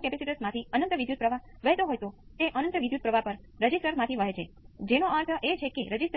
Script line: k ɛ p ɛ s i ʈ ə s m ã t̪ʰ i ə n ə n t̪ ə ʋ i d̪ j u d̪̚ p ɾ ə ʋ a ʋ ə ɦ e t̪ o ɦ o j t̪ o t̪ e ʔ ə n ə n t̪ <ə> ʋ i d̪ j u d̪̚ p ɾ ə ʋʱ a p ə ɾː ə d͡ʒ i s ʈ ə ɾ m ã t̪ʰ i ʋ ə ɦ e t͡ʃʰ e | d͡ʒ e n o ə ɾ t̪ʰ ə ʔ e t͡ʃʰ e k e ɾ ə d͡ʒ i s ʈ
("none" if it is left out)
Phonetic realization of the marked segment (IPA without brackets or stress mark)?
ə